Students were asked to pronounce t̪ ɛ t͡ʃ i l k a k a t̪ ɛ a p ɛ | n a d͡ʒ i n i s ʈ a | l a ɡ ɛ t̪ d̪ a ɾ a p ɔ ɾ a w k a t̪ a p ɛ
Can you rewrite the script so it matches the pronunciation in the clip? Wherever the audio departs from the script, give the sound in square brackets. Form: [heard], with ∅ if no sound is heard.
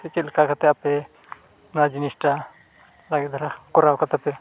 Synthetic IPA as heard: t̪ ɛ t͡ʃ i l k a k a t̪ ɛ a p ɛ | n a d͡ʒ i n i s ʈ a | l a ɡ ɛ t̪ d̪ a ɾ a [k] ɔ ɾ a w k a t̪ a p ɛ